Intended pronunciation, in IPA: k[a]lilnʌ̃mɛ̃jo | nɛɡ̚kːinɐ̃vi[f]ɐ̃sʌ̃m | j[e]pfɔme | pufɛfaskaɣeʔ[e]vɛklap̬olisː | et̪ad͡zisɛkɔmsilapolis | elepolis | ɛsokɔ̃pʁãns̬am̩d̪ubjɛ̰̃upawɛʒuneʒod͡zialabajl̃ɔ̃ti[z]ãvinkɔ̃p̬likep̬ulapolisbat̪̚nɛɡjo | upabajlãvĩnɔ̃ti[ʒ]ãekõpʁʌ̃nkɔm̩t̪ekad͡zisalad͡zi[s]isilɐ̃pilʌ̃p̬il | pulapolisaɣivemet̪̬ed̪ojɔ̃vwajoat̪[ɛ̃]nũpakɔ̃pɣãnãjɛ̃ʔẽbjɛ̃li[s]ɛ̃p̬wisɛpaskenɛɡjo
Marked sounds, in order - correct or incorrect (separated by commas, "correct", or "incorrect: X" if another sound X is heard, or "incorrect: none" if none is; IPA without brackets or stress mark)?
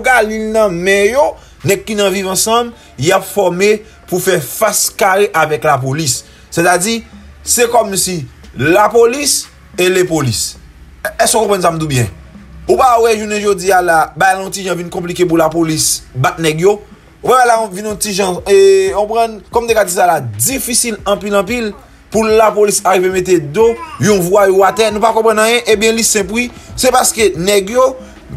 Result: correct, incorrect: v, incorrect: a, incorrect: a, incorrect: ʒ, correct, incorrect: f, incorrect: ɛ, correct